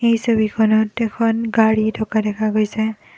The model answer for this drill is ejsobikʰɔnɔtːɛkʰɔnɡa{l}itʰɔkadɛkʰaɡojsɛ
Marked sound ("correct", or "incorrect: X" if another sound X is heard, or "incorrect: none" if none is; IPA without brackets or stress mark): incorrect: ɹ